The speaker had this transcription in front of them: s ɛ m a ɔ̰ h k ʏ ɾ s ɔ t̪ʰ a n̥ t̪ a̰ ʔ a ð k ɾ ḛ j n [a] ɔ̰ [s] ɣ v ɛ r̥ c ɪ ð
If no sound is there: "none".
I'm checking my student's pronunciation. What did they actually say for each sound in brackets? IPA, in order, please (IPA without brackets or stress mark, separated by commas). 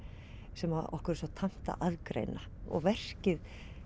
a, none